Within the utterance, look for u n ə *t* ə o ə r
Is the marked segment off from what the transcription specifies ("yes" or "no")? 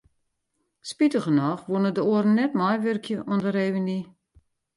yes